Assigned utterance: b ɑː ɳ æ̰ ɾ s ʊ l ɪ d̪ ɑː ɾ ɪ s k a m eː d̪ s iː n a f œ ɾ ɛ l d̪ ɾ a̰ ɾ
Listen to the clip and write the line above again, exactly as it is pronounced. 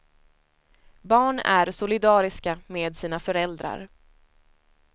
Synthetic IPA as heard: b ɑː ɳ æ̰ ɾ s ʊ l ɪ d̪ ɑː ɾ ɪ s k a m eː d̪ s iː n a f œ ɾ ɛ l d̪ ɾ a̰ ɾ